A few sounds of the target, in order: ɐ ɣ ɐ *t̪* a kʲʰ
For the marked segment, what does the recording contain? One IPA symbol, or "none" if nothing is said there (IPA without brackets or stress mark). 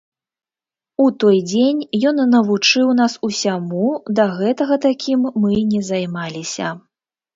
t̪